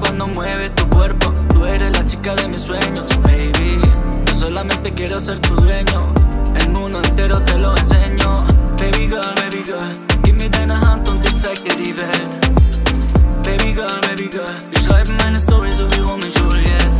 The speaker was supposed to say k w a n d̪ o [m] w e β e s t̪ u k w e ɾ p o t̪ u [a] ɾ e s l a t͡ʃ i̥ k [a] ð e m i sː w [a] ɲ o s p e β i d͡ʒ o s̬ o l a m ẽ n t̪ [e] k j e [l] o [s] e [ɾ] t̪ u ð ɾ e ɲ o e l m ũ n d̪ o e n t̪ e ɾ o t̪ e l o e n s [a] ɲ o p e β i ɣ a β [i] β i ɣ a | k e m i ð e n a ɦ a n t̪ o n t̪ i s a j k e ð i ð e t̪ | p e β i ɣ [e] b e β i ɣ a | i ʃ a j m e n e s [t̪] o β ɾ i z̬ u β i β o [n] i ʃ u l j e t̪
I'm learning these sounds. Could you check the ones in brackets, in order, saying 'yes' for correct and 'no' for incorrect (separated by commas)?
yes, no, yes, no, yes, no, yes, yes, no, no, no, yes, no